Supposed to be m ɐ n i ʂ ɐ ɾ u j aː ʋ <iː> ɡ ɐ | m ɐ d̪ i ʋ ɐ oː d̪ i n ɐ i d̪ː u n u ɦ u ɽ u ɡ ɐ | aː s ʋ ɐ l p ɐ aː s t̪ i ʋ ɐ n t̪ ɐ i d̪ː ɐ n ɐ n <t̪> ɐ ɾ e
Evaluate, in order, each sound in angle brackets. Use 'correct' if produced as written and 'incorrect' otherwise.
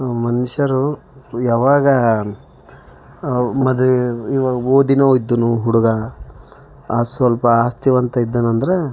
incorrect: aː, incorrect: d̪

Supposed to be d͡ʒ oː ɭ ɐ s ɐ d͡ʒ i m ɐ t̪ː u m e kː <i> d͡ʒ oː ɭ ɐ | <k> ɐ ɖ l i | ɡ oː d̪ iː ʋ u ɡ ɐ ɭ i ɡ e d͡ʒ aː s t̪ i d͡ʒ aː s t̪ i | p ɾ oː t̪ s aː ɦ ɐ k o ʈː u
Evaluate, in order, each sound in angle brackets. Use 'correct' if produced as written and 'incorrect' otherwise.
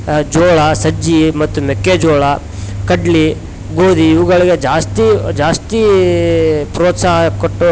incorrect: e, correct

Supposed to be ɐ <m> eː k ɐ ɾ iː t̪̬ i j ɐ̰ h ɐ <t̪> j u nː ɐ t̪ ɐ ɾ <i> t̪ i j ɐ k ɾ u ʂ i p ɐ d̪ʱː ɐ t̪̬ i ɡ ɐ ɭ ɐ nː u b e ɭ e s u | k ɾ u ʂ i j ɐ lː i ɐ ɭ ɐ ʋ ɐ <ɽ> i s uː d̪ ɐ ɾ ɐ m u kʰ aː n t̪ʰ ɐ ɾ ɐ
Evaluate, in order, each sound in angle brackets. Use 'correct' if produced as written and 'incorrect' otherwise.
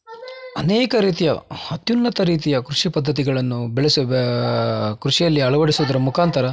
incorrect: n, correct, incorrect: iː, correct

